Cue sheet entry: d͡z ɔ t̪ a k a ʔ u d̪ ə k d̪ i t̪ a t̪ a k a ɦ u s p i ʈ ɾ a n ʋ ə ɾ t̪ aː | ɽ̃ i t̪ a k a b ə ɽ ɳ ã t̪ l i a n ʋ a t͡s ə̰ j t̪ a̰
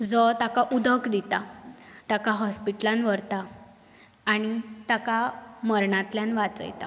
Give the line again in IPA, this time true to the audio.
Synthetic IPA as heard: d͡z ɔ t̪ a k a ʔ u d̪ ə k d̪ i t̪ a t̪ a k a ɦ ɔ s p i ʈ l a n ʋ ə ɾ t̪ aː | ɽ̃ i t̪ a k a m ə ɾ ɳ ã t̪ l j a n ʋ a t͡s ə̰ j t̪ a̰